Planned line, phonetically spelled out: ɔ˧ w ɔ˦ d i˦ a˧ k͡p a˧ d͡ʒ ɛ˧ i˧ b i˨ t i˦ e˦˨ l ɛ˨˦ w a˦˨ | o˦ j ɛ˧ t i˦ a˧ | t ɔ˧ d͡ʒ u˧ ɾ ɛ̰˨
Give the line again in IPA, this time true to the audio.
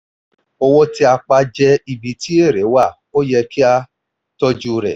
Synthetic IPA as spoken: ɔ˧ w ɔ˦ t i˦ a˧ k͡p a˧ d͡ʒ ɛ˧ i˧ b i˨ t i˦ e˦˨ ɾ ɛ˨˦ w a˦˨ | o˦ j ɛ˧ k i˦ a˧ | t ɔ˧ d͡ʒ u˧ ɾ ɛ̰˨

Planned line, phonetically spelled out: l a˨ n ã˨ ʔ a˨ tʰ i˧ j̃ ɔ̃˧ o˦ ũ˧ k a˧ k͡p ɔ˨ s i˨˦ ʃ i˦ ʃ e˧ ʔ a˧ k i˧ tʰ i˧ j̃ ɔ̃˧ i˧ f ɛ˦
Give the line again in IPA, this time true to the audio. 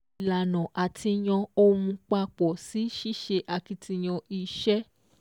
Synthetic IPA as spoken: l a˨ n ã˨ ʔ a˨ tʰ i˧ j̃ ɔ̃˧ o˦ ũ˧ k͡p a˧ k͡p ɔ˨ s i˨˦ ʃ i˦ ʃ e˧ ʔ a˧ k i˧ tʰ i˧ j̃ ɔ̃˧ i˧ ʃ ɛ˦

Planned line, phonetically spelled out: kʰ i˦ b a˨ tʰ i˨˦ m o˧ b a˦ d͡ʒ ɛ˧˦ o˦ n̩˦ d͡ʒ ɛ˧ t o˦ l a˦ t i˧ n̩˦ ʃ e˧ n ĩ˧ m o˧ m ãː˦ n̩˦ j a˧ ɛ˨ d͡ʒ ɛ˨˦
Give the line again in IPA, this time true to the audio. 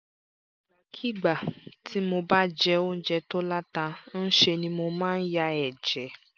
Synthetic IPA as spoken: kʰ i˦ ɡ͡b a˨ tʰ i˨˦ m o˧ b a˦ d͡ʒ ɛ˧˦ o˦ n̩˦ d͡ʒ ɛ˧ t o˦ l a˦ t a˧ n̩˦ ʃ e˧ n ĩ˧ m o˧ m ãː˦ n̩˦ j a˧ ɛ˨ d͡ʒ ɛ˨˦

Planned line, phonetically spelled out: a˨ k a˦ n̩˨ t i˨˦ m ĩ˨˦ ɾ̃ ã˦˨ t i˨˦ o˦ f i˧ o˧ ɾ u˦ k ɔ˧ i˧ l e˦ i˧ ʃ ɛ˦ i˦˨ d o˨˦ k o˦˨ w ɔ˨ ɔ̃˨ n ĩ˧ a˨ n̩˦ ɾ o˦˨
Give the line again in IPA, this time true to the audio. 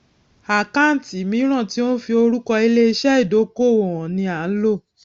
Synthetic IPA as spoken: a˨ k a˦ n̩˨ t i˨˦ m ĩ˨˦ ɾ̃ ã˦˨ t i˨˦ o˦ f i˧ o˧ ɾ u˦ k ɔ˧ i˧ l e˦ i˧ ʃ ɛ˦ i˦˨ d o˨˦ k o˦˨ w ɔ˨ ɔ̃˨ n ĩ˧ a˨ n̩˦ l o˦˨

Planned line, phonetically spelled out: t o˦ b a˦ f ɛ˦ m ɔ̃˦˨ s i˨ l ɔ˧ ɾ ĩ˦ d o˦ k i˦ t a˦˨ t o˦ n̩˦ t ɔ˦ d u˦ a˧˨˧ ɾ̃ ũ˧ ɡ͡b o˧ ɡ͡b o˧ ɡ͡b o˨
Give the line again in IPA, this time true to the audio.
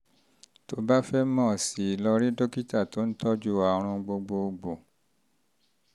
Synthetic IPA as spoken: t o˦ b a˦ f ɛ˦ m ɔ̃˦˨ s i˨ l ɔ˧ ɾ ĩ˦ d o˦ k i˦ t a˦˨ t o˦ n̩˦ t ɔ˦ d͡ʒ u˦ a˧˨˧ ɾ̃ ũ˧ ɡ͡b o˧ ɡ͡b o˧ ɡ͡b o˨

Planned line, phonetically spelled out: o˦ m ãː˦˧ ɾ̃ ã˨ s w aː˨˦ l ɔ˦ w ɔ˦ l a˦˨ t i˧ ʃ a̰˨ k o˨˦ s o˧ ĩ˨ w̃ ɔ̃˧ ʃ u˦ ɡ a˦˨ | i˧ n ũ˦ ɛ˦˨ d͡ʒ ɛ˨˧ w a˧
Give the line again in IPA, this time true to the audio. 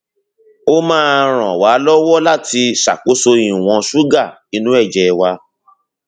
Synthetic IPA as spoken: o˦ m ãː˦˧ ɾ̃ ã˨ w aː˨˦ l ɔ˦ w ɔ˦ l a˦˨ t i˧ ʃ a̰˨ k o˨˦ s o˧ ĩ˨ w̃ ɔ̃˧ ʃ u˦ ɡ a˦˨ | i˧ n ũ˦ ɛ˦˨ d͡ʒ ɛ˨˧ w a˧

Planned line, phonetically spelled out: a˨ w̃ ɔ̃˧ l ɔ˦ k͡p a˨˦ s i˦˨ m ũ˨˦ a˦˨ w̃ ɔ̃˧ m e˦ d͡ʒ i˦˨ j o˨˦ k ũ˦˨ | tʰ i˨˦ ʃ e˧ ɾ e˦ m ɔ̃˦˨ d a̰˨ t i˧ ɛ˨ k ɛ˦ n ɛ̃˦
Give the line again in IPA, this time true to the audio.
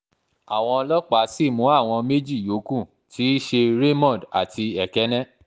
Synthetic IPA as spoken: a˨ w̃ ɔ̃˧ l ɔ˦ k͡p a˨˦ s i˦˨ m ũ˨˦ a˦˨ w̃ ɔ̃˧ m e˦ d͡ʒ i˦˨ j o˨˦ k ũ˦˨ | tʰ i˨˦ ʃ e˧ ɾ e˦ m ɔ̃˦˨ d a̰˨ t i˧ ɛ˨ k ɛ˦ n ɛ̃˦

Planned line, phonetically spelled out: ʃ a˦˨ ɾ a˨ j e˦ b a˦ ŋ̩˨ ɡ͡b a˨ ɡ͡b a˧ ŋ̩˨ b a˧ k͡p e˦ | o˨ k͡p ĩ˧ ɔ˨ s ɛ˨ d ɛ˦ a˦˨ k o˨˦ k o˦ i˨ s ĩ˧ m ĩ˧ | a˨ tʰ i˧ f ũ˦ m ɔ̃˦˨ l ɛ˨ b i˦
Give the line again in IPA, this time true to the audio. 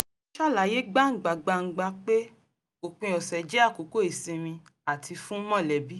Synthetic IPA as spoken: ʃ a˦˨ l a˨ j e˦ ɡ͡b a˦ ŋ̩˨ ɡ͡b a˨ ɡ͡b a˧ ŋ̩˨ ɡ͡b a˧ k͡p e˦ | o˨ k͡p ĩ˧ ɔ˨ s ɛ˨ d͡ʒ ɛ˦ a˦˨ k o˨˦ k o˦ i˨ s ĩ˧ m ĩ˧ | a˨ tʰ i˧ f ũ˦ m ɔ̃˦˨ l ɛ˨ b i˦

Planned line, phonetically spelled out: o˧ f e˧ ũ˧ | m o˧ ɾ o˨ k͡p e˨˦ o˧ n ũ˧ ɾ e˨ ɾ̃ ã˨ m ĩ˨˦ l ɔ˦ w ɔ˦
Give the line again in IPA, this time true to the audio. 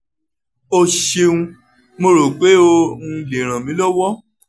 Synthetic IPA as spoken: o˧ ʃ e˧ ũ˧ | m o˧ ɾ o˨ k͡p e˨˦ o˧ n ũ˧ l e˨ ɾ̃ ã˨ m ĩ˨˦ l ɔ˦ w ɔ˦

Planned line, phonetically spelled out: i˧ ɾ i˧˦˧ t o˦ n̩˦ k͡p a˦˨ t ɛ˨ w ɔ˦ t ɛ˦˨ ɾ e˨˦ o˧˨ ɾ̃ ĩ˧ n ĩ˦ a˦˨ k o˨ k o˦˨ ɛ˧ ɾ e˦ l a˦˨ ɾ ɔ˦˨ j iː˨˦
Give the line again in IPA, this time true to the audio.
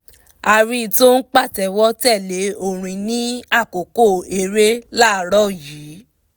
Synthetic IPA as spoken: a˧ ɾ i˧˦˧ t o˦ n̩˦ k͡p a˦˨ t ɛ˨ w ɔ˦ t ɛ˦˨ l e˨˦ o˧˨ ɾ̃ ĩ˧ n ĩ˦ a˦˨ k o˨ k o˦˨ e˧ ɾ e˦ l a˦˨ ɾ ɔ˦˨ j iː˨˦

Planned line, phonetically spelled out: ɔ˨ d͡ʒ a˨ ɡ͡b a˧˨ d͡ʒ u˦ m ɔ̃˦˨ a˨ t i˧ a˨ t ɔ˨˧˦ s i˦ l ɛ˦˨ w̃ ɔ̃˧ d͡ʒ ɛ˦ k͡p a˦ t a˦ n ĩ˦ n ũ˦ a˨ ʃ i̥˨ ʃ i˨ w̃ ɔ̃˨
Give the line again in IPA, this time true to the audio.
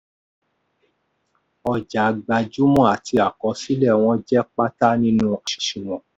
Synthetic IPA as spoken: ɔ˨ d͡ʒ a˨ ɡ͡b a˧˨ d͡ʒ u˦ m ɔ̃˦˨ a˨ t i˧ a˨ k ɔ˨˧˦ s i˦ l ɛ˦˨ w̃ ɔ̃˧ d͡ʒ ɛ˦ k͡p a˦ t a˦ n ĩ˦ n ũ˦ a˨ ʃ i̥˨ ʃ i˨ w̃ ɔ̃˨

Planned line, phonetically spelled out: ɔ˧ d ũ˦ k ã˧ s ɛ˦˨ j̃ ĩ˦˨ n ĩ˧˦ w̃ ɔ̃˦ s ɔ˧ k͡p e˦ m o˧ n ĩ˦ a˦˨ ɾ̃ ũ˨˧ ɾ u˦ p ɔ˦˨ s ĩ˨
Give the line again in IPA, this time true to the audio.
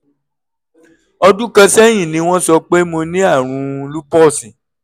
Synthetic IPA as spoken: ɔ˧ d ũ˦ k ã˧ s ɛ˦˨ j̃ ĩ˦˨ n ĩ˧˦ w̃ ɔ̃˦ s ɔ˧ k͡p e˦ m o˧ n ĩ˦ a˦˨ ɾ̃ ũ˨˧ l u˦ p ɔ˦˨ s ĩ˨

